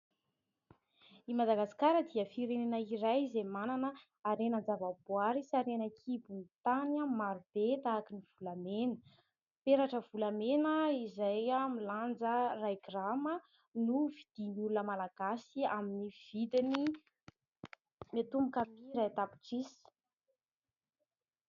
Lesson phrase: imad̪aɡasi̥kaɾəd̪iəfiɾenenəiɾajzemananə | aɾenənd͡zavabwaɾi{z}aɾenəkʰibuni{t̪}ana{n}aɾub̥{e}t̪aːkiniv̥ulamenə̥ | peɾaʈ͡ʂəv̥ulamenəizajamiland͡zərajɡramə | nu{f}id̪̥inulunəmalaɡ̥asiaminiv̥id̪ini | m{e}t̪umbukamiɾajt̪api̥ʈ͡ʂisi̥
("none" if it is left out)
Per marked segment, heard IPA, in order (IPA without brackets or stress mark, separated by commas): s, t̪, m, e, v, e